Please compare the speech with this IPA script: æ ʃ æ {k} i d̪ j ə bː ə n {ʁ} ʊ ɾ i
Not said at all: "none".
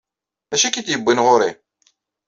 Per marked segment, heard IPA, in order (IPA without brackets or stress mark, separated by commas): k, ʁ